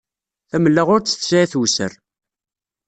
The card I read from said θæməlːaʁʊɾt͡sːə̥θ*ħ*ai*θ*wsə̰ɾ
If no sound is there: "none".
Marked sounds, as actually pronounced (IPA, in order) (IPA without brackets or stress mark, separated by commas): s, θ